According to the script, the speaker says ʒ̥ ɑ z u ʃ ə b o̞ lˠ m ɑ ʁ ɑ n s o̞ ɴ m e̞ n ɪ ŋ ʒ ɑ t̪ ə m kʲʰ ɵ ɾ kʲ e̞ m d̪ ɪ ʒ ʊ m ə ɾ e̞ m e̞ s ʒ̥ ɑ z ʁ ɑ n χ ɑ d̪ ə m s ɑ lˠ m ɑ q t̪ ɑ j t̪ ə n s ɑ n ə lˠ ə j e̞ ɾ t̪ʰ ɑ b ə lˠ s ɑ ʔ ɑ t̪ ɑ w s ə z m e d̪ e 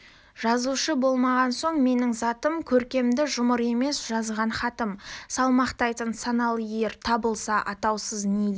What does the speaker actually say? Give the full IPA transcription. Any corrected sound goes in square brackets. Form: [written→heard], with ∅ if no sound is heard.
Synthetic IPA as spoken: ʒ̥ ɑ z u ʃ ə b o̞ lˠ m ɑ ʁ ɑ n s o̞ ɴ m e̞ n ɪ ŋ [ʒ→z] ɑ t̪ ə m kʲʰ ɵ ɾ kʲ e̞ m d̪ ɪ ʒ ʊ m ə ɾ e̞ m e̞ s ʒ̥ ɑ z ʁ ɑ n χ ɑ [d̪→t̪] ə m s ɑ lˠ m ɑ q t̪ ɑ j t̪ ə n s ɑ n [ə→ɑ] lˠ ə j e̞ ɾ t̪ʰ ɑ b ə lˠ s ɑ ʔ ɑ t̪ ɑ w s ə z [m→n] e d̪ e